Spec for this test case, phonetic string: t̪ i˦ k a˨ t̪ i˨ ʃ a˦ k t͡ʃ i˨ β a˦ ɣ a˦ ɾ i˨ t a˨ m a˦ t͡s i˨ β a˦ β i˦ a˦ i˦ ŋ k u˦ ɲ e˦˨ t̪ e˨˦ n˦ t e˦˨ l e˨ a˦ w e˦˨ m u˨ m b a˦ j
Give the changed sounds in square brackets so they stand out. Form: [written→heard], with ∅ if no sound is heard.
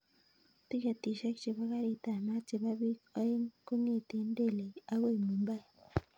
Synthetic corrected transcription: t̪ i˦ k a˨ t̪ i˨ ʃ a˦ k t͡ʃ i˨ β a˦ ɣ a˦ ɾ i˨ t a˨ m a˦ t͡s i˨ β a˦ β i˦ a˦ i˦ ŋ k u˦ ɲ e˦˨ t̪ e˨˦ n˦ [t→d] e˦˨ l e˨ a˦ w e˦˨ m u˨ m b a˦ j